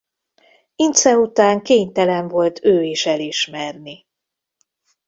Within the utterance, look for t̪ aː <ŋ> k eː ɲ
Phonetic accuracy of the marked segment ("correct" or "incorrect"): correct